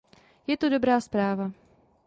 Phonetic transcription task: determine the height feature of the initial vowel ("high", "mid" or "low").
mid